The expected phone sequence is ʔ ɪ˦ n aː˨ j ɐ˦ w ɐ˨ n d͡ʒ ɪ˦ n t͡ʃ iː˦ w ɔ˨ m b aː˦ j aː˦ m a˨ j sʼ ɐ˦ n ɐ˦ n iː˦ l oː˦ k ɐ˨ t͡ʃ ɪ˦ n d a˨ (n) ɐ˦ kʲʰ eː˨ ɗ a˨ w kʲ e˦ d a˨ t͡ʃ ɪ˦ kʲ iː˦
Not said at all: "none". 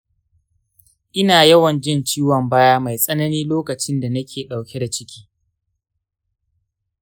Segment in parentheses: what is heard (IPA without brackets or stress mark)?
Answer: n